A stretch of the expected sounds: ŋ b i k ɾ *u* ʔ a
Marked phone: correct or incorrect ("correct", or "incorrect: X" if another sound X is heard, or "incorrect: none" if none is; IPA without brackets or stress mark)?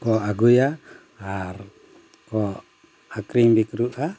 correct